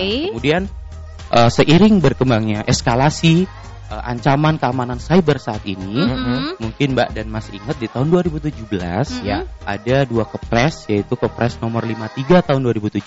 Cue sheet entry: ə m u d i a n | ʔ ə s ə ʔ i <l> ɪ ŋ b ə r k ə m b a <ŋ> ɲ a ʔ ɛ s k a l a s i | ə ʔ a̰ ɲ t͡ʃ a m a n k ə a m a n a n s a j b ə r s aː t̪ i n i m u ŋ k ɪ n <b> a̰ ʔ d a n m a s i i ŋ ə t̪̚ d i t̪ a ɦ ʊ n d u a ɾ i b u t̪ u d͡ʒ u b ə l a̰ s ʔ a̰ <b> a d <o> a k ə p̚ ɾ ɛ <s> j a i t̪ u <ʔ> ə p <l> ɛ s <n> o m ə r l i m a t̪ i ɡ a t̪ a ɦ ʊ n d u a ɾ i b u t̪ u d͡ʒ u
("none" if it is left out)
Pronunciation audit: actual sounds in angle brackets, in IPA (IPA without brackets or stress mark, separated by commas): ɾ, ŋ, b, d, u, s, k, ɾ, n